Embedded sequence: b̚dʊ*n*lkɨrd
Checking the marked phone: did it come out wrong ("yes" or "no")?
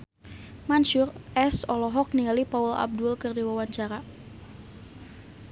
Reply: yes